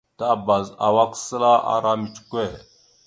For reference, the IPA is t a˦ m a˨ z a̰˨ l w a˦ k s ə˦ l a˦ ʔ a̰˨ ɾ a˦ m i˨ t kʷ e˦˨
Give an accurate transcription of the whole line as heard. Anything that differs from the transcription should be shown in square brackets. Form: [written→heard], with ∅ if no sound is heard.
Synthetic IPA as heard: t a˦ [m→b] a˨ z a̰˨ [l→∅] w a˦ k s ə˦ l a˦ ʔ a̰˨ ɾ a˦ m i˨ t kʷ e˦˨

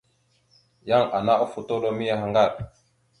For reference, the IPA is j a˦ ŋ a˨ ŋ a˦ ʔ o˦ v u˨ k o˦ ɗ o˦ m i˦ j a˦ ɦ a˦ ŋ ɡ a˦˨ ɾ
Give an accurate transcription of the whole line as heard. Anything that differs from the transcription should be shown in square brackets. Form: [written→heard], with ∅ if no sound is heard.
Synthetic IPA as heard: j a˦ ŋ a˨ [ŋ→n] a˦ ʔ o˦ [v→f] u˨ [k→t] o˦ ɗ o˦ m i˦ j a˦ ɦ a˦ ŋ ɡ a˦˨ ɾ

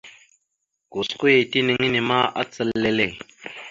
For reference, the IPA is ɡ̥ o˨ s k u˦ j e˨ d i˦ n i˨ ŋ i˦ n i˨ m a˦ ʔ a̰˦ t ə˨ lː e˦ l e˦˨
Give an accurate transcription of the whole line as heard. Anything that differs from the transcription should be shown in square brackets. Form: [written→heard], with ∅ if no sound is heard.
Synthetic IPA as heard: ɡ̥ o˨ s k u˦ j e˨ [d→t] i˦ n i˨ ŋ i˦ n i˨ m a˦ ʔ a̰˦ [t→t͡s] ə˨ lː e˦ l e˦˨

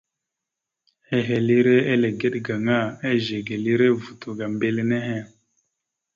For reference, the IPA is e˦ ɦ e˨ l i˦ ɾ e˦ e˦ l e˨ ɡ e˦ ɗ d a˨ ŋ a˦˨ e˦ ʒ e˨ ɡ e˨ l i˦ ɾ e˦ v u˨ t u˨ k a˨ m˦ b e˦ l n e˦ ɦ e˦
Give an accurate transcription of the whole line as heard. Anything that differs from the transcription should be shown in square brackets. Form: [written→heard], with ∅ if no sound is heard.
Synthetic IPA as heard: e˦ ɦ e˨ l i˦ ɾ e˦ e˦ l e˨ ɡ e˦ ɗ [d→ɡ] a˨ ŋ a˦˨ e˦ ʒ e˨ ɡ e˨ l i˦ ɾ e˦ v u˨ t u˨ [k→ɡ] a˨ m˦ b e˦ l n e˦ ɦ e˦

